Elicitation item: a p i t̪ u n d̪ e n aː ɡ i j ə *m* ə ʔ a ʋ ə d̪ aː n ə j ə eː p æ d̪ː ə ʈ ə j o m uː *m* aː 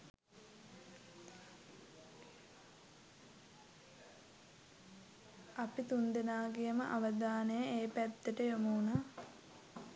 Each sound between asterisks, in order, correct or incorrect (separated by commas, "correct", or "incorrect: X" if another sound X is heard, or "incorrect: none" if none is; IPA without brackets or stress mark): correct, incorrect: n